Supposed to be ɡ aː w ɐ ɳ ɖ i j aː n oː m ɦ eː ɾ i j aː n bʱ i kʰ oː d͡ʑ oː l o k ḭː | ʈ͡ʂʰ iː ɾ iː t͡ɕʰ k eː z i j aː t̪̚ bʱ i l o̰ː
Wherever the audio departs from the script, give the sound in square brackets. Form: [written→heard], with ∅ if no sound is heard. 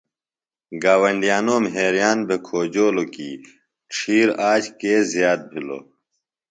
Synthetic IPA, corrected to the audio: ɡ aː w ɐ ɳ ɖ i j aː n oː m ɦ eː ɾ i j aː n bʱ [i→e] kʰ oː d͡ʑ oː l o k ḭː | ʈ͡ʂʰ iː ɾ [iː→aː] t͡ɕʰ k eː z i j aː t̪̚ bʱ i l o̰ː